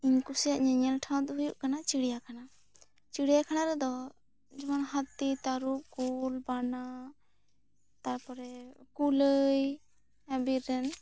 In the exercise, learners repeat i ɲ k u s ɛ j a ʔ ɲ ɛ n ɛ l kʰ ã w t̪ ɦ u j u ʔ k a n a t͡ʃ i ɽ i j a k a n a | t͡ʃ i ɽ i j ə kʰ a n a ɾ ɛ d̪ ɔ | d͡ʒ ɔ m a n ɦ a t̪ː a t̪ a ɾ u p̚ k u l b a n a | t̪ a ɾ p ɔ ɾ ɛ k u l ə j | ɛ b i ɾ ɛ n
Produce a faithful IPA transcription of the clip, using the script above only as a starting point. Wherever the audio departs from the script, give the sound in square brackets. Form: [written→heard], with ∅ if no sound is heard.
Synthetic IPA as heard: i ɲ k u s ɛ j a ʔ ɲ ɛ [n→ɲ] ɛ l [kʰ→ʈʰ] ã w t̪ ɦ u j u ʔ k a n a t͡ʃ i ɽ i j a k a n a | t͡ʃ i ɽ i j [ə→a] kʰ a n a ɾ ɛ d̪ ɔ | d͡ʒ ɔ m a n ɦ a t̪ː [a→i] t̪ a ɾ u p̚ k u l b a n a | t̪ a ɾ p ɔ ɾ ɛ k u l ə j | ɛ b i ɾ ɛ n